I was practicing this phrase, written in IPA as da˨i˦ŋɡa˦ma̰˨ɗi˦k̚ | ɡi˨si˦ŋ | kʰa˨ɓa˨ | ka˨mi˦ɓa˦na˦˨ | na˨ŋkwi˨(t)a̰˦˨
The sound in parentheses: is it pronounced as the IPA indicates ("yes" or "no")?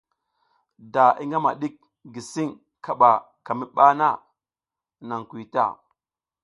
yes